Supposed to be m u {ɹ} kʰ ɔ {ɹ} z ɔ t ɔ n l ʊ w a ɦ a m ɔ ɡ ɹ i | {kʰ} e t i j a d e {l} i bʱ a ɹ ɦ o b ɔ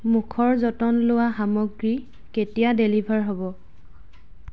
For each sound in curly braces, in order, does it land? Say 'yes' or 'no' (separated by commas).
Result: no, yes, no, yes